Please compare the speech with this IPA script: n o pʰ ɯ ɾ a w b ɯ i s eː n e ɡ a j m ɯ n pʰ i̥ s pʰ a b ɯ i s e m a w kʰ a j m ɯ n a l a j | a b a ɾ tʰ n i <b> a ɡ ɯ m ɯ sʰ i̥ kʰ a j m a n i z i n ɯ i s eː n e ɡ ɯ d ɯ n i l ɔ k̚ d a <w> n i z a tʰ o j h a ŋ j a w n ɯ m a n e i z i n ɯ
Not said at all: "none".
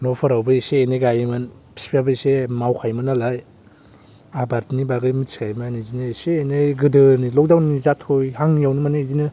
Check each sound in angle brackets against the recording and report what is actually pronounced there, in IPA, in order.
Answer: b, w

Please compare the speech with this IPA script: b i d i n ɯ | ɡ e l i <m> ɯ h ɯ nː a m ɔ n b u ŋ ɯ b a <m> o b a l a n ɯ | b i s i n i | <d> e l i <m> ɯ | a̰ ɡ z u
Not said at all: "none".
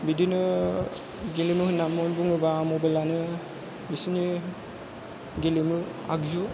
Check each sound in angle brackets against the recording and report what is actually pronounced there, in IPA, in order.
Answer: m, m, ɡ, m

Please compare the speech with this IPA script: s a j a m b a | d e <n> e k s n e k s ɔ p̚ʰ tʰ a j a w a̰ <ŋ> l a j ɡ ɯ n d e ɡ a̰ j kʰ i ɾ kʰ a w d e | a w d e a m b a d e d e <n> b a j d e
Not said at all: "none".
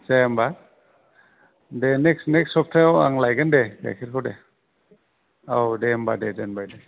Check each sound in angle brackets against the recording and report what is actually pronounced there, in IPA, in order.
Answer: n, ŋ, n

